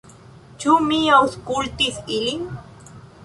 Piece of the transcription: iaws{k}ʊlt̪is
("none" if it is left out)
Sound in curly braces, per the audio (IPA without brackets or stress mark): k